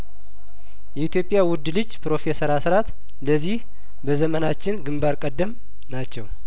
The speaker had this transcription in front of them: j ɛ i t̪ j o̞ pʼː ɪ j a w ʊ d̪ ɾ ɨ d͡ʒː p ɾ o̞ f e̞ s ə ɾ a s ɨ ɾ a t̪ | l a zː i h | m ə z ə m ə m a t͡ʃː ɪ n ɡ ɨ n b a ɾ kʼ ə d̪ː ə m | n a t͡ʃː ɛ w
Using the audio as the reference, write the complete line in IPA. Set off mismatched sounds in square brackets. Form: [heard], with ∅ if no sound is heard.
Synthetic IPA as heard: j ɛ i t̪ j o̞ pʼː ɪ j a w ʊ d̪ [l] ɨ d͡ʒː p ɾ o̞ f e̞ s ə ɾ a s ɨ ɾ a t̪ | l [ə] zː i h | [b] ə z ə m ə [n] a t͡ʃː ɪ n ɡ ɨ [m] b a ɾ kʼ ə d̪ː ə m | n a t͡ʃː ɛ w